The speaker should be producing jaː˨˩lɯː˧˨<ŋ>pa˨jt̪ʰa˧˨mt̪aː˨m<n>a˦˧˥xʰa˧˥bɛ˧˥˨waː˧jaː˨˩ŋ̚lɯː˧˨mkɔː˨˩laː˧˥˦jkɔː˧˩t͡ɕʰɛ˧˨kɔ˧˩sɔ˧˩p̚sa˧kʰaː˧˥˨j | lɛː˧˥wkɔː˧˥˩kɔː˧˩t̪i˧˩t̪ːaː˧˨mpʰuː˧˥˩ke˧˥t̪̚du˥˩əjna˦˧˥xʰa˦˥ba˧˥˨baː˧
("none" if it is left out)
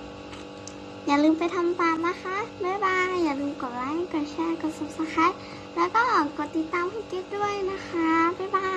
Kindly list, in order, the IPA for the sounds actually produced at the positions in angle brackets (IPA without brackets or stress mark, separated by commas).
m, n